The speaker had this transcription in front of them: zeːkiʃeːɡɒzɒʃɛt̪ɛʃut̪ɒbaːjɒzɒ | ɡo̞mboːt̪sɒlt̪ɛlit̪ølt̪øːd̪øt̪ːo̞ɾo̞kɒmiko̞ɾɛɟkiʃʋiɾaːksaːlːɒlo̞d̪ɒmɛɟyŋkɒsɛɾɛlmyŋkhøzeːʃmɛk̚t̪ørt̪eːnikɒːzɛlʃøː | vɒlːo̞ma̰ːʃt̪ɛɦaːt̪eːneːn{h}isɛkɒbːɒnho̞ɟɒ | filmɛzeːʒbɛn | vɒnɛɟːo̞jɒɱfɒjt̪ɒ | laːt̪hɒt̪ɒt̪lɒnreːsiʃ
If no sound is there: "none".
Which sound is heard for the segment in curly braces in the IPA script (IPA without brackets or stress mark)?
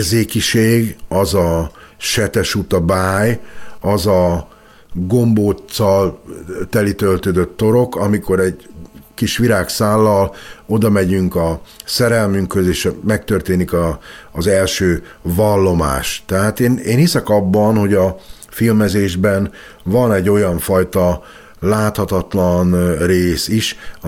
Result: h